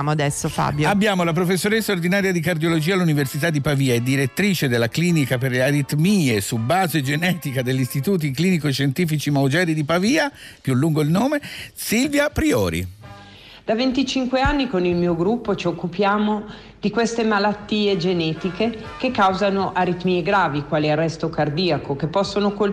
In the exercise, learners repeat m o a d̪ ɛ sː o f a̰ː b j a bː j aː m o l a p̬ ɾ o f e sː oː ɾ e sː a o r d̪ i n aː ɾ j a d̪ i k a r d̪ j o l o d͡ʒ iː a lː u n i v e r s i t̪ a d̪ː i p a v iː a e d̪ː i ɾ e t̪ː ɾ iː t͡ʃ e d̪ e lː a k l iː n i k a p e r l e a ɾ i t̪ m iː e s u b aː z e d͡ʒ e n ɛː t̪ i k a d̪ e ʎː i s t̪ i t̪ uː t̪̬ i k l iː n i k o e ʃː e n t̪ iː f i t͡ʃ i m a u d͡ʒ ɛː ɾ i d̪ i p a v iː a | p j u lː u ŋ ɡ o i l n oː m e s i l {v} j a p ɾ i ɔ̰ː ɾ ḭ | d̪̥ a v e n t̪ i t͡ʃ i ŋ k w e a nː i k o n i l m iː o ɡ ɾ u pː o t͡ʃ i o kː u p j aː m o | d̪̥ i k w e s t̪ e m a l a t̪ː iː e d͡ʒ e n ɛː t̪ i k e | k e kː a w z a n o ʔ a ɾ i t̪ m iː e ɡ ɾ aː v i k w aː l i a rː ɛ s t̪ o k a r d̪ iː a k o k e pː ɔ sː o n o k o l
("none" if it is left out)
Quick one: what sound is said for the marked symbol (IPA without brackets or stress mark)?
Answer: v